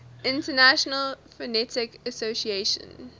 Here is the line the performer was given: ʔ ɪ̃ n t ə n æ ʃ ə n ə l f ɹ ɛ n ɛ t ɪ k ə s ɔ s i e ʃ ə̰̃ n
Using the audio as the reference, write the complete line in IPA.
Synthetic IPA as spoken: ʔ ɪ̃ n t ə n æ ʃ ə n ə l f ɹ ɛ n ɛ t ɪ k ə s o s i e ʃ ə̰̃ n